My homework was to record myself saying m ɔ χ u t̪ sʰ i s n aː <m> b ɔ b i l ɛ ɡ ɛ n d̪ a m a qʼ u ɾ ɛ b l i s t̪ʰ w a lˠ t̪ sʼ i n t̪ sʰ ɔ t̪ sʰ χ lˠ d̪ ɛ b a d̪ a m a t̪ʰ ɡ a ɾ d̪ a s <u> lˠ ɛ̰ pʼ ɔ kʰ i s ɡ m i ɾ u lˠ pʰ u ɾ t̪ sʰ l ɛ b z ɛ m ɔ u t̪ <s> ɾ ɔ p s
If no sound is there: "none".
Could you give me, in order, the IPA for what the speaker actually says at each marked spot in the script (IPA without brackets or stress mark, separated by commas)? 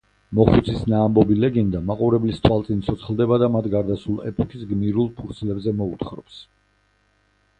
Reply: m, u, χ